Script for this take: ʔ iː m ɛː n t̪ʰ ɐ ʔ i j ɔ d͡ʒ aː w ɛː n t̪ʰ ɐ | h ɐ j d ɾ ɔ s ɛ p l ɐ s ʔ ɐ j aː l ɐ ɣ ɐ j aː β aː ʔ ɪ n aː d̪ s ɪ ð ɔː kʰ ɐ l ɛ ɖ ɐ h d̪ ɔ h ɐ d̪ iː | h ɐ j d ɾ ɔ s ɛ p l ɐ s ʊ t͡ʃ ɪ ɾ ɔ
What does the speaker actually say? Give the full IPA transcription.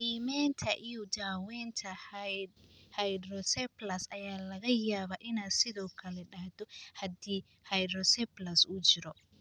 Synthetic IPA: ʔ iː m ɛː n t̪ʰ ɐ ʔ i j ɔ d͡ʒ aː w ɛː n t̪ʰ ɐ | h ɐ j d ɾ ɔ s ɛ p l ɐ s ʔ ɐ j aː l ɐ ɣ ɐ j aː β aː ʔ ɪ n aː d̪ s ɪ ð ɔː kʰ ɐ l ɛ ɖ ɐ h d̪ ɔ h ɐ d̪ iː | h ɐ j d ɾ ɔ s ɛ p l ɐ s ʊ t͡ʃ ɪ ɾ ɔ